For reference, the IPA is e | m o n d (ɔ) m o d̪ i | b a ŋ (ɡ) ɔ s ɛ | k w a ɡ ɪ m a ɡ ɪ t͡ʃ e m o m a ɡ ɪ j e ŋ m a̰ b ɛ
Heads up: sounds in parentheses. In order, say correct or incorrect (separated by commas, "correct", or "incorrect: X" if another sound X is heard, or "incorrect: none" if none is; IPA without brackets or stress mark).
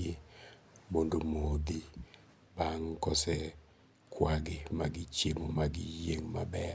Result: incorrect: o, incorrect: k